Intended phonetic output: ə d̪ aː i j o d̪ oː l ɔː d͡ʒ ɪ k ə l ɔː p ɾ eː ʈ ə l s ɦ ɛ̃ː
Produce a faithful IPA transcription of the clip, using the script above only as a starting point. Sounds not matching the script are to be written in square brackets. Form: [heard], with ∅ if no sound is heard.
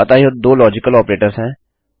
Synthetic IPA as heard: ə [t̪] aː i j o d̪ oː l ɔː d͡ʒ ɪ k ə l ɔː p ɾ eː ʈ ə [ɾ] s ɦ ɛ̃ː